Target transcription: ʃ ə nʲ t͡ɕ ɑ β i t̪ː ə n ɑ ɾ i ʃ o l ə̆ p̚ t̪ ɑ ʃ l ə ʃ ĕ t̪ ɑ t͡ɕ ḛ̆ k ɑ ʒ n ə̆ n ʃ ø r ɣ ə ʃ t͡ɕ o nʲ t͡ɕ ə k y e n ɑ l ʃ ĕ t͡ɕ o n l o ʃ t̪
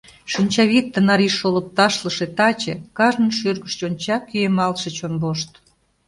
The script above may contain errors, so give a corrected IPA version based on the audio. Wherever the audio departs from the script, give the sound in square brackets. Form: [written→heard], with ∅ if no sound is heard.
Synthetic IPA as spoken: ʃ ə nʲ t͡ɕ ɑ β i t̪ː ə n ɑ ɾ i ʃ o l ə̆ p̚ t̪ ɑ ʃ l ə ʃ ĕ t̪ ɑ t͡ɕ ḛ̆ k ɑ ʒ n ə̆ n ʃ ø r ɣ ə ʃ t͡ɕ o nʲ t͡ɕ [ə→ɑ] k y e [n→m] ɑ l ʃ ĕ t͡ɕ o n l o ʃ t̪